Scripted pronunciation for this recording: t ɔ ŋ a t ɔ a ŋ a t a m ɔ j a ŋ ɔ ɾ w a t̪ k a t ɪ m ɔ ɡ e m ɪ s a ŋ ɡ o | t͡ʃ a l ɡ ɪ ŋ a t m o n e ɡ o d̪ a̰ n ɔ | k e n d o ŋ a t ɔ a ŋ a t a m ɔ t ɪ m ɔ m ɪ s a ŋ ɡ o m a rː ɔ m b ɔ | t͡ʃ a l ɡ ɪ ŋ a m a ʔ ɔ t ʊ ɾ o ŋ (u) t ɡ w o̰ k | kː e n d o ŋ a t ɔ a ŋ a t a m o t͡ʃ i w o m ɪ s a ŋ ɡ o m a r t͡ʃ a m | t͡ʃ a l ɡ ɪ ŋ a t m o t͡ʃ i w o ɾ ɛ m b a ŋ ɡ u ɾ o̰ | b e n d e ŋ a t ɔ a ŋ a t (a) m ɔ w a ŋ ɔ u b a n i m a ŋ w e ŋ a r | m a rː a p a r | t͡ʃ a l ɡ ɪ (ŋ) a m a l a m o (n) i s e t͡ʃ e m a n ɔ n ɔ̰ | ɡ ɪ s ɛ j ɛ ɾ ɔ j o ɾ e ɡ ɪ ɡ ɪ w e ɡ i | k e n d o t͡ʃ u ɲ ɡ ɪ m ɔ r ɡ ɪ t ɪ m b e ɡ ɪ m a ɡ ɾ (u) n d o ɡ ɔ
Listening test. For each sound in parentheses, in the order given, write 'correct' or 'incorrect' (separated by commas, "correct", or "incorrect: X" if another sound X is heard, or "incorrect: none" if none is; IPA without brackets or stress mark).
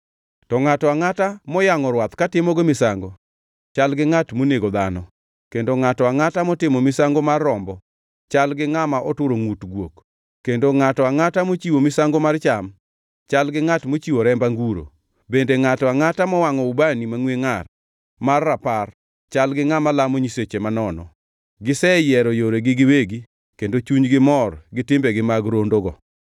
correct, correct, correct, incorrect: ɲ, incorrect: o